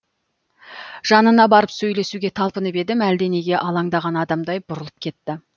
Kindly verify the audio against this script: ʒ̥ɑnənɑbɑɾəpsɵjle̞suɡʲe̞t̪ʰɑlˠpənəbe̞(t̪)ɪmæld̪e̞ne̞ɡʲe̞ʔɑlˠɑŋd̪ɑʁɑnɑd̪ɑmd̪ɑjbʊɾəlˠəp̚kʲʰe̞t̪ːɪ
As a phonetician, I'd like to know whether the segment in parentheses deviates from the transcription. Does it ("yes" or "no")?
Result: yes